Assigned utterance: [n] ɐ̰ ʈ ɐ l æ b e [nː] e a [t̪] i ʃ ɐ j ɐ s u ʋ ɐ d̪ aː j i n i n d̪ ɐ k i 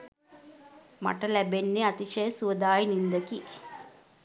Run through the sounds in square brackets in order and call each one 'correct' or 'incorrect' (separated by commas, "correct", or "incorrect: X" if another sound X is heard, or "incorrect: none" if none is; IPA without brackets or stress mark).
incorrect: m, correct, correct